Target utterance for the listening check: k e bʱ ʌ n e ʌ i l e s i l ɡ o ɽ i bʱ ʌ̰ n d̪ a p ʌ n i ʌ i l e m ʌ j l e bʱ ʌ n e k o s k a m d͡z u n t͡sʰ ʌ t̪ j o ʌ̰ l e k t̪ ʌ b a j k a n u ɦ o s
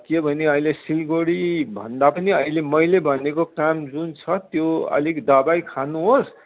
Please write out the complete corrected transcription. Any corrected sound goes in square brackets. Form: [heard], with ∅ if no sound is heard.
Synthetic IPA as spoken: k e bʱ ʌ n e ʌ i l e s i l ɡ o ɽ i bʱ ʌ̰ n d̪ a p ʌ n i ʌ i l e m ʌ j l e bʱ ʌ n e k o [∅] k a m d͡z u n t͡sʰ ʌ t̪ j o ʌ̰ l [i] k [d̪] ʌ b a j [kʰ] a n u ɦ o s